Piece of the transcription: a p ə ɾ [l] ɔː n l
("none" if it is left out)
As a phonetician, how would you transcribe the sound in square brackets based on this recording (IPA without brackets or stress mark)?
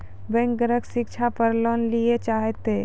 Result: l